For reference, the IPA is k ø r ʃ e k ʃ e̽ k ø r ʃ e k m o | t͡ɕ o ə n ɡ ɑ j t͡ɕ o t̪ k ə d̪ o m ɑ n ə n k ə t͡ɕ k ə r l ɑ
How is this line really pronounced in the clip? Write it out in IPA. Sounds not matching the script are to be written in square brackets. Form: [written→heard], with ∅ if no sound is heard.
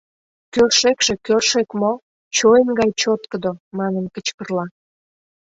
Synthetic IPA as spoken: k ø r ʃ e k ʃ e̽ k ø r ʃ e k m o | t͡ɕ o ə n ɡ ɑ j t͡ɕ o t̪ k ə d̪ o m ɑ n ə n k ə t͡ɕ k ə r l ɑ